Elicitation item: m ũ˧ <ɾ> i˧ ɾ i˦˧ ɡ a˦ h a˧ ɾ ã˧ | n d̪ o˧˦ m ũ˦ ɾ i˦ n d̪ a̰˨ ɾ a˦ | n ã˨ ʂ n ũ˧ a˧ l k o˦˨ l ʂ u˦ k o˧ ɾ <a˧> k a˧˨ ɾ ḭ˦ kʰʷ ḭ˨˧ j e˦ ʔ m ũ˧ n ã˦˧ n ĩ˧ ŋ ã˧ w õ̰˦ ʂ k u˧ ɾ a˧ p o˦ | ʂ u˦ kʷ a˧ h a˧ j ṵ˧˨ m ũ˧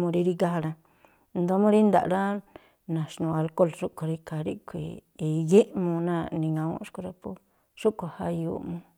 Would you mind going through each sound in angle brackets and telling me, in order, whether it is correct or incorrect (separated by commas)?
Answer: correct, incorrect